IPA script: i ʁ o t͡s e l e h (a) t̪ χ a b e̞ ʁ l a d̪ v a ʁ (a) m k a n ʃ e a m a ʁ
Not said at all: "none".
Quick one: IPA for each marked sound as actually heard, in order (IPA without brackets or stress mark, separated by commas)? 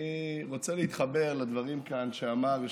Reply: i, i